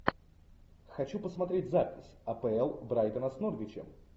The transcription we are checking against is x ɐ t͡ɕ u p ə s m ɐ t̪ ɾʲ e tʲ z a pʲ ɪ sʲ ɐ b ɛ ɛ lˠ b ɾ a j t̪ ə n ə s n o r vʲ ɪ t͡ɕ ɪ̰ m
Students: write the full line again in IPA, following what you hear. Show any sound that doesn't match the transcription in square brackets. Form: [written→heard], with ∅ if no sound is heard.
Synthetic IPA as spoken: x ɐ t͡ɕ u p ə s m ɐ t̪ ɾʲ e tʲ z a pʲ ɪ sʲ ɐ [b→p] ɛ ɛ lˠ b ɾ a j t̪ ə n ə s n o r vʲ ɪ t͡ɕ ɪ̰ m